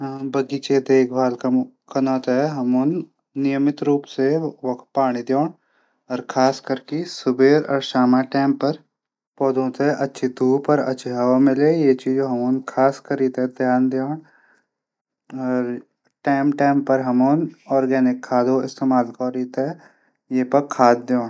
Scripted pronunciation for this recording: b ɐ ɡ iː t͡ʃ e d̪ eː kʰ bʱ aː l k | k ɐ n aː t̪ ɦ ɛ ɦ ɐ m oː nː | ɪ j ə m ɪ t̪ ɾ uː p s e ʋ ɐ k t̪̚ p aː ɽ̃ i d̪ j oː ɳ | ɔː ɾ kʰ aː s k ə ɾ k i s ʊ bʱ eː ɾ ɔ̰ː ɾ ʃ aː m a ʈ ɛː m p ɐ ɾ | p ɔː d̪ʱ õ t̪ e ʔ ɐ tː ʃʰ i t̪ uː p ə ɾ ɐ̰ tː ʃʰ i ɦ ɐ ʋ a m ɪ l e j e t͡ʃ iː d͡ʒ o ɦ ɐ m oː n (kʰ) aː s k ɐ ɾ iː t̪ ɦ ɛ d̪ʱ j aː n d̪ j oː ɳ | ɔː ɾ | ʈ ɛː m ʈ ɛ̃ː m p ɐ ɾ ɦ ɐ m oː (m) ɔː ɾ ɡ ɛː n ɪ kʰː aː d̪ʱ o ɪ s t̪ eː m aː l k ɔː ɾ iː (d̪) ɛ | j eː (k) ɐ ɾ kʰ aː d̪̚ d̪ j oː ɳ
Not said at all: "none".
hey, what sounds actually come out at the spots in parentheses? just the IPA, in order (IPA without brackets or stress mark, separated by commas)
kʰ, n, t̪, p